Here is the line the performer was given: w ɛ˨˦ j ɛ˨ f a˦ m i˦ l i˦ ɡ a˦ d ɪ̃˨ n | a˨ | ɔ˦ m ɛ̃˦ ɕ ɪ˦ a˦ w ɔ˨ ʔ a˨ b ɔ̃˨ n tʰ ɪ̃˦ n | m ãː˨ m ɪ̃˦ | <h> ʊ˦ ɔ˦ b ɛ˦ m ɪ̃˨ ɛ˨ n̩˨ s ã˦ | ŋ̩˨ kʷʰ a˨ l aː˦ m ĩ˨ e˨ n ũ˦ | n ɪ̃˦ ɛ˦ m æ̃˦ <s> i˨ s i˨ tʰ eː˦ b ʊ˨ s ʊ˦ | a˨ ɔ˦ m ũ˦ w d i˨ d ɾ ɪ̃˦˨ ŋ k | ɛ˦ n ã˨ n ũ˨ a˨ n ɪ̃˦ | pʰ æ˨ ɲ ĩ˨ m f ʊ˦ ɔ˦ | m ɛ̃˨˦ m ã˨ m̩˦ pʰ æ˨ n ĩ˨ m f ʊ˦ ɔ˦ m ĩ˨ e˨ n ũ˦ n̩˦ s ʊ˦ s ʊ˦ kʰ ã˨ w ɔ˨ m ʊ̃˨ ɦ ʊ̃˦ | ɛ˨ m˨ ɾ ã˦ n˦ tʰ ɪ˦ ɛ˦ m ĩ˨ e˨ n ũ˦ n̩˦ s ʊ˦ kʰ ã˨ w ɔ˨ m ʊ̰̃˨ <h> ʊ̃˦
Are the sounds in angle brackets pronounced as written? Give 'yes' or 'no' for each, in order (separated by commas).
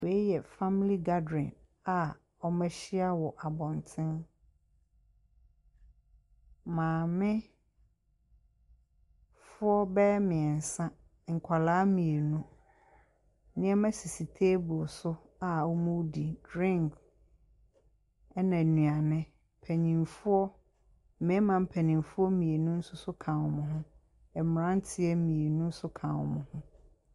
no, yes, yes